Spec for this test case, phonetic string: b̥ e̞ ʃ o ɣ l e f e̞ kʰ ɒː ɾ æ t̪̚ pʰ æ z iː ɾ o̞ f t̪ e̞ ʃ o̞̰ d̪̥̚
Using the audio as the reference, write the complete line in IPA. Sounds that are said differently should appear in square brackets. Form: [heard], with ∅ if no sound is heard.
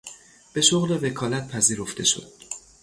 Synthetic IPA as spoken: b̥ e̞ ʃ o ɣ l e [v] e̞ kʰ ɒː [l] æ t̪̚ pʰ æ z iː ɾ o̞ f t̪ e̞ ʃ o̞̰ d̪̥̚

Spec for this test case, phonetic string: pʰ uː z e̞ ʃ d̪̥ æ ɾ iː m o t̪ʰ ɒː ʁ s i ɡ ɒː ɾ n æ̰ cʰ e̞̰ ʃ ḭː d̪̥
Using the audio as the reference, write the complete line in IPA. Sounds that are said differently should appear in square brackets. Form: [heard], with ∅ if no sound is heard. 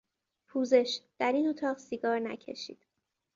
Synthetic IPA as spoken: pʰ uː z e̞ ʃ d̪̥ æ ɾ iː [n] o t̪ʰ ɒː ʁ s i ɡ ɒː ɾ n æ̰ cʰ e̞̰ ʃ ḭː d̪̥

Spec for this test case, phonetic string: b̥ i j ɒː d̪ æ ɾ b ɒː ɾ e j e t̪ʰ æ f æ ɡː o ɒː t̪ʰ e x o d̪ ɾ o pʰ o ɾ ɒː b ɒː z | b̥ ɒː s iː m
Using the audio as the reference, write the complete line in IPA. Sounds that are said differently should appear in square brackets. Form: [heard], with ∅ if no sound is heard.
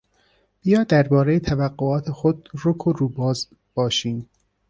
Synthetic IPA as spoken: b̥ i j ɒː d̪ æ ɾ b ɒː ɾ e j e t̪ʰ æ [v] æ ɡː o ɒː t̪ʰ e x o d̪ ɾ o [kʰ] o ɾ [uː] b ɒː z | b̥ ɒː [ʃ] iː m

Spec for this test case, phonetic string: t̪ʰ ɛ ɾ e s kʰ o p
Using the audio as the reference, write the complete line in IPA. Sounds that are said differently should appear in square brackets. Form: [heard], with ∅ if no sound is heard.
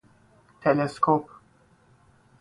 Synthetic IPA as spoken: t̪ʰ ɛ [l] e s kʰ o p

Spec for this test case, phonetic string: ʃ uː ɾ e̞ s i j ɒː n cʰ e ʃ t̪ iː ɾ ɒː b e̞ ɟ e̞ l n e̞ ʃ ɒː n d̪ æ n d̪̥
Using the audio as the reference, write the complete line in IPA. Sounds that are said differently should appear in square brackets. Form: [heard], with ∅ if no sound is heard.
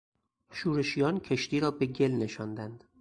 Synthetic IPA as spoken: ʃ uː ɾ e̞ [ʃ] i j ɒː n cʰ e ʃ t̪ iː ɾ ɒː b e̞ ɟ e̞ l n e̞ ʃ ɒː n d̪ æ n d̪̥

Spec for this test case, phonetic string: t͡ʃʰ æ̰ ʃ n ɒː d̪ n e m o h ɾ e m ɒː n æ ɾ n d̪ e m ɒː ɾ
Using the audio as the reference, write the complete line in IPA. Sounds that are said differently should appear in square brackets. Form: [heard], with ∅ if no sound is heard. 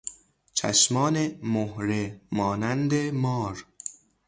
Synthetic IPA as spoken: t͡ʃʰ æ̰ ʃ [m] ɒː [∅] n e m o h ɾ e m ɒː n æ [∅] n d̪ e m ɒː ɾ

